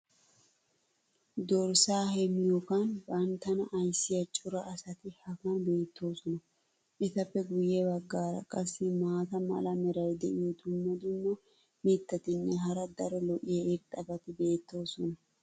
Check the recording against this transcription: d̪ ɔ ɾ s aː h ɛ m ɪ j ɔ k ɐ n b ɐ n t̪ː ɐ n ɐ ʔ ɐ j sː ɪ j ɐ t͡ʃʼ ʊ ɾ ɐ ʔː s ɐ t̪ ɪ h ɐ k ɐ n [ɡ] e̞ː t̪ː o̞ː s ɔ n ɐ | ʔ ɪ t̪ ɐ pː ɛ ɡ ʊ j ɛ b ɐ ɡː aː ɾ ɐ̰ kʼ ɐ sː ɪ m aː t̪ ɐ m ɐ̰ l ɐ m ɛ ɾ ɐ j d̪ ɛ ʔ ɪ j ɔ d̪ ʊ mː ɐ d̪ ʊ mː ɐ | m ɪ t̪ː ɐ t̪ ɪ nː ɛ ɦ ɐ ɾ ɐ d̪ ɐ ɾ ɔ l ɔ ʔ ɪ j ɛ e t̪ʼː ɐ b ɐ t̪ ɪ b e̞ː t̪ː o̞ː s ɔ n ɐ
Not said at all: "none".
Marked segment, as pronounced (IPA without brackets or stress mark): b